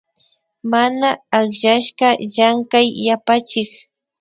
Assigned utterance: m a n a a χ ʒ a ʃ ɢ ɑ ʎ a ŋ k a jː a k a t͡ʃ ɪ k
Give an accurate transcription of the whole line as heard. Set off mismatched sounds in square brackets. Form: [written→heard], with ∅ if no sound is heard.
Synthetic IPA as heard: m a n a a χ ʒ a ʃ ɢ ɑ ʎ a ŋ k a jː a [k→p] a t͡ʃ ɪ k